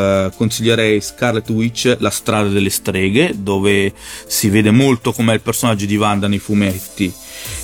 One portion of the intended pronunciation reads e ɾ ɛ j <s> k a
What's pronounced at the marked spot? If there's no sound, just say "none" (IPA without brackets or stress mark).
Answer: s